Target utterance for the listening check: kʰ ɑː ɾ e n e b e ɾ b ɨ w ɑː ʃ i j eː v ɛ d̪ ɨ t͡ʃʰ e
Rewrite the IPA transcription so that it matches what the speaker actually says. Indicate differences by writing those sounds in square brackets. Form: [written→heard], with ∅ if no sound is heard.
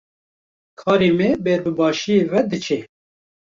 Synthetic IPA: kʰ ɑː ɾ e [n→m] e b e ɾ b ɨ [w→b] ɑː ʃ i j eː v ɛ d̪ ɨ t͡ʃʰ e